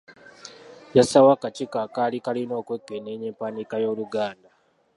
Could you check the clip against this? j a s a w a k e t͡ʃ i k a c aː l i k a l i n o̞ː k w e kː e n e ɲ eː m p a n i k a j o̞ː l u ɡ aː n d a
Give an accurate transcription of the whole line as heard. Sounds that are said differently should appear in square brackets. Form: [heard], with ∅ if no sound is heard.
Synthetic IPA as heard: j a s a w a k [a] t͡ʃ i k a [k] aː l i k a l i n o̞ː k w e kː e n e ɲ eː m p a n i k a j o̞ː l u ɡ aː n d a